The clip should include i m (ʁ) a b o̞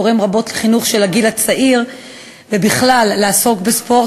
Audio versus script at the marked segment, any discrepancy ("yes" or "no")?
no